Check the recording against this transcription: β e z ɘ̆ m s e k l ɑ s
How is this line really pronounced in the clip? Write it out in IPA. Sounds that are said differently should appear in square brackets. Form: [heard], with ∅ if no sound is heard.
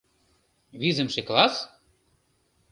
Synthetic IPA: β [i] z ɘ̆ m [ʃ] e k l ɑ s

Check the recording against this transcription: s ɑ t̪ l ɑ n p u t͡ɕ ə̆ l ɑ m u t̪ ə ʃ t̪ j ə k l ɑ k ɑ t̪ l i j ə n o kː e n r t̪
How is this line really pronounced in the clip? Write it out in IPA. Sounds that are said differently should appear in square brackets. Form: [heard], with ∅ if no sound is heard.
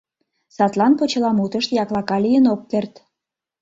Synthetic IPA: s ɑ t̪ l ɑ n p [o] t͡ɕ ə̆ l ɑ m u t̪ ə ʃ t̪ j [ɑ] k l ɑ k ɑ [∅] l i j ə n o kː e [∅] r t̪

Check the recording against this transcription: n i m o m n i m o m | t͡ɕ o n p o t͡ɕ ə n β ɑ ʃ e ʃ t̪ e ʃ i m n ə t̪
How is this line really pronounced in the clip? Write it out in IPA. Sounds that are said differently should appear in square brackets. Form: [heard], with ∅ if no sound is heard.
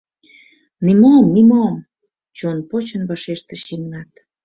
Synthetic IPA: n i m o m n i m o m | t͡ɕ o n p o t͡ɕ ə n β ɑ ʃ e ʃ t̪ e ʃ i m n [ɑ] t̪

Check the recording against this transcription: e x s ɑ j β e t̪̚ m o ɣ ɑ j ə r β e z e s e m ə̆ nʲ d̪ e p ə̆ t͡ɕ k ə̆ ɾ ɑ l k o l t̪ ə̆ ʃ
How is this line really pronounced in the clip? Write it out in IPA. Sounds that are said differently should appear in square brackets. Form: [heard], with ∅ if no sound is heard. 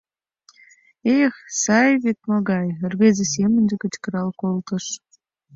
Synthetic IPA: e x s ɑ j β e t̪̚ m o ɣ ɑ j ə r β e z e s e m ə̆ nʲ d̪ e [k] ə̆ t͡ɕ k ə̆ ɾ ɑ l k o l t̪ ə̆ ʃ

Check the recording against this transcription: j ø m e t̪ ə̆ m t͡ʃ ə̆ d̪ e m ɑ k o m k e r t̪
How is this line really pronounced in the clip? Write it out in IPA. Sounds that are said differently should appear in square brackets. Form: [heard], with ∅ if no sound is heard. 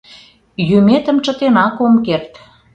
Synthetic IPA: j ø m e t̪ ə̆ m t͡ʃ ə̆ [t̪] e [n] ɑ k o m k e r t̪

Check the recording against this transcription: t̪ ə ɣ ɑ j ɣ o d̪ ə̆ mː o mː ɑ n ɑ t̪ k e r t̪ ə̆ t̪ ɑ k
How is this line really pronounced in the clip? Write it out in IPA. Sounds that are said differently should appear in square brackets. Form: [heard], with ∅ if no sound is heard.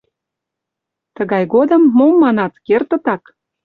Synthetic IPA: t̪ ə ɣ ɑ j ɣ o d̪ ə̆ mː o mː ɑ n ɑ t̪ k e r t̪ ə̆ t̪ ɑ k

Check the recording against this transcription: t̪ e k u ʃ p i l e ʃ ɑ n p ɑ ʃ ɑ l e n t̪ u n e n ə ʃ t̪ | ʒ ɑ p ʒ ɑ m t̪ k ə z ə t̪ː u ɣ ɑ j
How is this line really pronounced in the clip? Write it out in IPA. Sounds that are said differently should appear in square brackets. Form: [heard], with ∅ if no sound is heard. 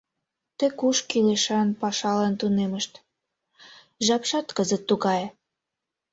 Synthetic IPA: t̪ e k u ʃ [k] i l e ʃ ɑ n p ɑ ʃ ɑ l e n t̪ u n e [m] ə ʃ t̪ | ʒ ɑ p [ʃ] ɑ [∅] t̪ k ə z ə t̪ː u ɣ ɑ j

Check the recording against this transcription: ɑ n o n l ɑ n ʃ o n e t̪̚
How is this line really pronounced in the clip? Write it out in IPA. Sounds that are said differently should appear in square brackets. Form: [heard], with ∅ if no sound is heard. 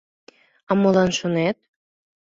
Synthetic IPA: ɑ [m] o [∅] l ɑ n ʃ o n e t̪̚

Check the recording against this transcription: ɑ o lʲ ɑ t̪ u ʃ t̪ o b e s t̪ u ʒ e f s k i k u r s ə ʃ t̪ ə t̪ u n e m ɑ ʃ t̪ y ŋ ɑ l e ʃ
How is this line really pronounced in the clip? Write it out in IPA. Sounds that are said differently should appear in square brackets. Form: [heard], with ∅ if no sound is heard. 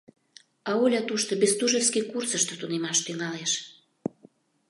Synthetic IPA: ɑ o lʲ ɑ t̪ u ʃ t̪ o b e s t̪ u ʒ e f s k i k u r s ə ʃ t̪ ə t̪ u n e m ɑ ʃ t̪ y ŋ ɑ l e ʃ

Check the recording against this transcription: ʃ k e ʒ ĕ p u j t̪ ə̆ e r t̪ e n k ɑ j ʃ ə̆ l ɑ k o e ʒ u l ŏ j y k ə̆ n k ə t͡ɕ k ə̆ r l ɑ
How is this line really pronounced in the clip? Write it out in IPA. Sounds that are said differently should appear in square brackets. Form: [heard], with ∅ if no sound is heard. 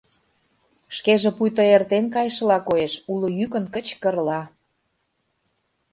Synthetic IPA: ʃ k e ʒ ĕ p u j t̪ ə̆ e r t̪ e n k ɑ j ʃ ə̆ l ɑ k o e [ʃ] u l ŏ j y k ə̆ n k ə t͡ɕ k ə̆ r l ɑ

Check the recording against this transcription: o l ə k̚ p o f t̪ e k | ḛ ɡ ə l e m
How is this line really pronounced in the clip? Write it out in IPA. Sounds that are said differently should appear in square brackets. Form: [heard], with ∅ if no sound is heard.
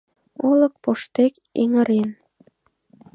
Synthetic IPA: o l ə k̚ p o [ʃ] t̪ e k | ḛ [ŋ] ə [ɾ] e [n]

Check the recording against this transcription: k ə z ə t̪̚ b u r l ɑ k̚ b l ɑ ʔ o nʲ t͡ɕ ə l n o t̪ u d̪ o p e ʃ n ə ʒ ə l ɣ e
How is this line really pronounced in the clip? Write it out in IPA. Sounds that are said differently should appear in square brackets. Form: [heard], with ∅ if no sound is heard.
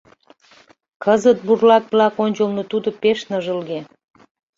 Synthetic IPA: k ə z ə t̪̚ b u r l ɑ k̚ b l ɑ [k] o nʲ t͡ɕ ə l n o t̪ u d̪ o p e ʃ n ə ʒ ə l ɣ e

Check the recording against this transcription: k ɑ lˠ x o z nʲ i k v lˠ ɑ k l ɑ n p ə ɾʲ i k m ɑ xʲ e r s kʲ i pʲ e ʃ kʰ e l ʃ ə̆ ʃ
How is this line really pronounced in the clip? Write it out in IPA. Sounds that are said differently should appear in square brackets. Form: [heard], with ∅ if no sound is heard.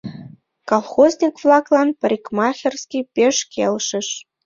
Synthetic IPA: k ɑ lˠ x o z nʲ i k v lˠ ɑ k l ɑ n p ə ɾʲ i k m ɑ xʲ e r s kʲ i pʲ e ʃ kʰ e l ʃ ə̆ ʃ

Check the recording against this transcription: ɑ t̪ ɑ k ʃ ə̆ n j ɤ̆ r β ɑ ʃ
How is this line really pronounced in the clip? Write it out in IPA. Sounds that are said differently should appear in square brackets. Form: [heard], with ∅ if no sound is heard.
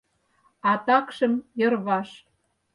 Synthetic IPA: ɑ t̪ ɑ k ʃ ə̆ [m] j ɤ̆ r β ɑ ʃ

